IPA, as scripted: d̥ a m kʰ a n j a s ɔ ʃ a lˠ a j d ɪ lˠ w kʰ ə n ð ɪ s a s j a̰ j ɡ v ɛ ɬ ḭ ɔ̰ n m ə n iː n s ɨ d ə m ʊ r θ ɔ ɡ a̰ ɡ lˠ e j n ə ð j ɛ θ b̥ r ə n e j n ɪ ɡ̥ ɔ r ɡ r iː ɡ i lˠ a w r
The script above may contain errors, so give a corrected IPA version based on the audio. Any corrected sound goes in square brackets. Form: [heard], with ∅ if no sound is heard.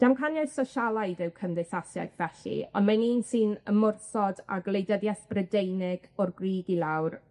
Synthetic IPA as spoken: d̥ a m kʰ a n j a s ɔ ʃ a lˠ a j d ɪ [∅] w kʰ ə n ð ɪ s a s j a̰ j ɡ v ɛ ɬ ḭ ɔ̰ n m [a] n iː n s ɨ [n] ə m ʊ r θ ɔ [d] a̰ ɡ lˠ e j [d] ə ð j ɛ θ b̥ r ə [d] e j n ɪ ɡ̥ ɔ r ɡ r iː ɡ i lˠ a w r